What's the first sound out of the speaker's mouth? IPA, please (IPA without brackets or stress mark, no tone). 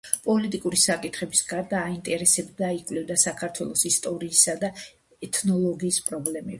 pʼ